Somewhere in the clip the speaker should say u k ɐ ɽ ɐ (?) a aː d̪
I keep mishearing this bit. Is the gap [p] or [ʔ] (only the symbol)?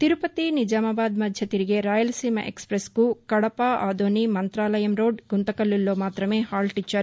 p